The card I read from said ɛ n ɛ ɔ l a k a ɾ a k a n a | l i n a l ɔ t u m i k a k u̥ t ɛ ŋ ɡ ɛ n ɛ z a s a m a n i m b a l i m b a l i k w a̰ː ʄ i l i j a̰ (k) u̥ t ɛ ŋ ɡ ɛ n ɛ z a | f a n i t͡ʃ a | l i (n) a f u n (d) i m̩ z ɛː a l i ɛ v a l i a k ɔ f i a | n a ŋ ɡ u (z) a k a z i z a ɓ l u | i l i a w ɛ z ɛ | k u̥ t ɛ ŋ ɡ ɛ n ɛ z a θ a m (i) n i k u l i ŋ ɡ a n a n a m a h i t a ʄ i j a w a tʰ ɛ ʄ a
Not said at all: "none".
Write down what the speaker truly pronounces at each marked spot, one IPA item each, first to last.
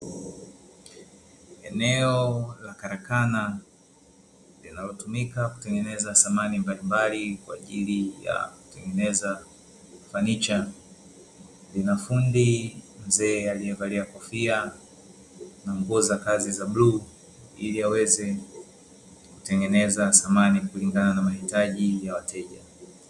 k, n, d, z, a

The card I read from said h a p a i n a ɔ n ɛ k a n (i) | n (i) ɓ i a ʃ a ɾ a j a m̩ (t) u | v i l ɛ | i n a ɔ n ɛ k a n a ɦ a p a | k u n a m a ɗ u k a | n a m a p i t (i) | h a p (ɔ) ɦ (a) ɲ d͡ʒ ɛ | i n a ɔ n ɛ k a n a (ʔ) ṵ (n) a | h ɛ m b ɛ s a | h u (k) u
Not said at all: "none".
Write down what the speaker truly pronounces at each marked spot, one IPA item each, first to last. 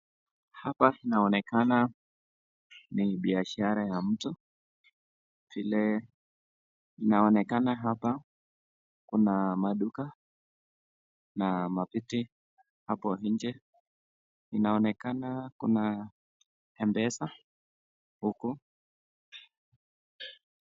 a, i, t, i, ɔ, i, k, n, k

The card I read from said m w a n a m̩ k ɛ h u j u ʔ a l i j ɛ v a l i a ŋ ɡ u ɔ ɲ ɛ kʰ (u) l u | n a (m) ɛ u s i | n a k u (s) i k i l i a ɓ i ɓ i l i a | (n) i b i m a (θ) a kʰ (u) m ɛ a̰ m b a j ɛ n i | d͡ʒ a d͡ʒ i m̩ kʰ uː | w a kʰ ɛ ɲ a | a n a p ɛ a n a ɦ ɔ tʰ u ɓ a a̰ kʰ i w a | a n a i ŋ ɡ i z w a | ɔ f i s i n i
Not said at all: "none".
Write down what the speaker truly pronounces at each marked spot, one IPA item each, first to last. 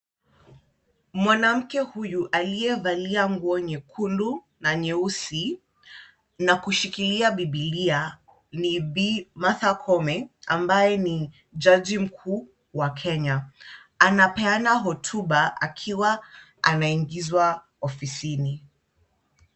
u, ɲ, ʃ, n, θ, ɔ

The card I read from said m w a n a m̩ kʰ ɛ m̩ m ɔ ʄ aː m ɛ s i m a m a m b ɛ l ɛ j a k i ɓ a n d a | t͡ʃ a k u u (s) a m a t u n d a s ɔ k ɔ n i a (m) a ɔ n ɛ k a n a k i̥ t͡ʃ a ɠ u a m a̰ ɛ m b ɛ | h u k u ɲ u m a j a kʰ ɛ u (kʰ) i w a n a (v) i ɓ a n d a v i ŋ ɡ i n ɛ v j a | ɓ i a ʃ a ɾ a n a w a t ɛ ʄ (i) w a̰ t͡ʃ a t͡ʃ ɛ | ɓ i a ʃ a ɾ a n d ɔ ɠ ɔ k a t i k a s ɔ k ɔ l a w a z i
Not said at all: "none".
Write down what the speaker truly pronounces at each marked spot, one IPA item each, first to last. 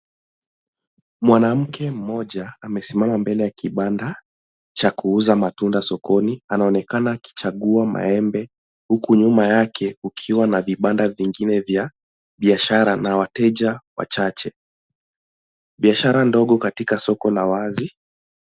z, n, kʰ, v, a

